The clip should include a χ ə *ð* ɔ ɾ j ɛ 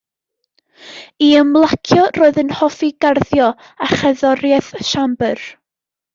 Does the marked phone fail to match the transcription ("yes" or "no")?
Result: no